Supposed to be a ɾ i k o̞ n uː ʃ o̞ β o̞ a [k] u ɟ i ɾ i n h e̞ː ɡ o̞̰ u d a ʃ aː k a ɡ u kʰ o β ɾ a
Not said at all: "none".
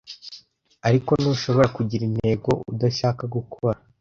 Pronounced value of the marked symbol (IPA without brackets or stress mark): k